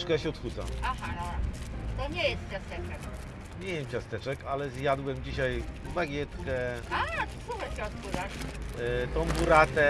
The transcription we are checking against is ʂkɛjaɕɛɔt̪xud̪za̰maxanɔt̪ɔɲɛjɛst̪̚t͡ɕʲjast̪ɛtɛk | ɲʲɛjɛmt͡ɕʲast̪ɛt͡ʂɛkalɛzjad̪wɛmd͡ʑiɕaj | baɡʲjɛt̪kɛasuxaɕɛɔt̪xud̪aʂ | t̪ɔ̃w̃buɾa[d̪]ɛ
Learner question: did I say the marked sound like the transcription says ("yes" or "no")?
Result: no